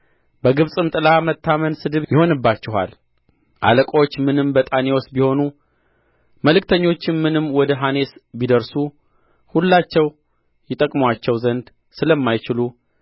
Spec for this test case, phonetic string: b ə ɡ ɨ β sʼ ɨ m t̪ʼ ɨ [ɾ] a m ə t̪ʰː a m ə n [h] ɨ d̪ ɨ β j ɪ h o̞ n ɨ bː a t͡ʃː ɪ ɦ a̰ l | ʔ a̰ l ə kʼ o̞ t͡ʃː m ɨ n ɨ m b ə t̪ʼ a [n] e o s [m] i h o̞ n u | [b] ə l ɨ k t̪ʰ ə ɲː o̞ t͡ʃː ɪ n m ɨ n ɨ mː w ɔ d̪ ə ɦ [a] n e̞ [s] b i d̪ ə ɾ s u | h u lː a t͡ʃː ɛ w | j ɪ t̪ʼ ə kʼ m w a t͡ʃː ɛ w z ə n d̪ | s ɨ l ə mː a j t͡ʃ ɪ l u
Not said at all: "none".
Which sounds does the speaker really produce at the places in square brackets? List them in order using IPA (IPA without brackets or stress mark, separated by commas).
l, s, n, b, m, a, s